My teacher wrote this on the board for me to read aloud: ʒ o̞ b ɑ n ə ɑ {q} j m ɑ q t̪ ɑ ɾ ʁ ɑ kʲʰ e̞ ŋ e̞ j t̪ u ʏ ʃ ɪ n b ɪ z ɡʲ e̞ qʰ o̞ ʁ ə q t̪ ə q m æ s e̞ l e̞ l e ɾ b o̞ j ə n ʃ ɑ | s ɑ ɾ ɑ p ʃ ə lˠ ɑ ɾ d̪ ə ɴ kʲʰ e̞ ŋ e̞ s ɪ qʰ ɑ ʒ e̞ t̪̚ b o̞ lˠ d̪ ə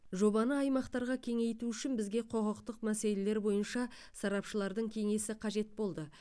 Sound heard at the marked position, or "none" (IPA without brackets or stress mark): none